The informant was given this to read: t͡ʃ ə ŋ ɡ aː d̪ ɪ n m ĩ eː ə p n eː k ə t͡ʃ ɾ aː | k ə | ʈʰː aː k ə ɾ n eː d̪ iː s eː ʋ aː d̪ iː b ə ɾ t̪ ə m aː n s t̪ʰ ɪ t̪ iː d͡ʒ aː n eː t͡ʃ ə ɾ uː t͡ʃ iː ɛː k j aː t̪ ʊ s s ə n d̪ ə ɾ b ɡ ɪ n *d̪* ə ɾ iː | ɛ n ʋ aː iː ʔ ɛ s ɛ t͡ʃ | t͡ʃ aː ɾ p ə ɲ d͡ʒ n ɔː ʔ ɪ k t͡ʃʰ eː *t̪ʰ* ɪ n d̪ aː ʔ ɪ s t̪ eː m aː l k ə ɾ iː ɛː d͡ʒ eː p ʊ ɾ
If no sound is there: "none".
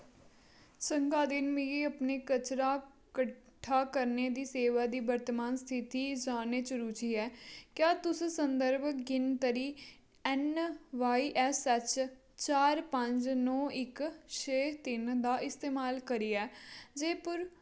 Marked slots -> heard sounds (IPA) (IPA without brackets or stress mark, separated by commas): t̪, t̪